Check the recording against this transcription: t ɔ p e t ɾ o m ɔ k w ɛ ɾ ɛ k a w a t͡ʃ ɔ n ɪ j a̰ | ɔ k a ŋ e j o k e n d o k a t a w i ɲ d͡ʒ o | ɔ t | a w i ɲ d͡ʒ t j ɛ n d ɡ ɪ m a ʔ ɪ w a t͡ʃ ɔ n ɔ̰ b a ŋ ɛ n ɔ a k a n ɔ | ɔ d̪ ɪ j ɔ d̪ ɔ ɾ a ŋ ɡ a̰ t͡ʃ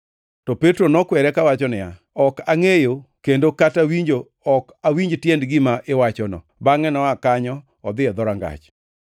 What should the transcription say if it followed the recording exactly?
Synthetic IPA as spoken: t ɔ p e t ɾ o n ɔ k w ɛ ɾ ɛ k a w a t͡ʃ ɔ n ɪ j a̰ | ɔ k a ŋ e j o k e n d o k a t a w i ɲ d͡ʒ o | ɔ k | a w i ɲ d͡ʒ t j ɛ n d ɡ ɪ m a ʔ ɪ w a t͡ʃ ɔ n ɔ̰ b a ŋ ɛ n ɔ a k a ɲ ɔ | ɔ d̪ ɪ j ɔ d̪ ɔ ɾ a ŋ ɡ a̰ t͡ʃ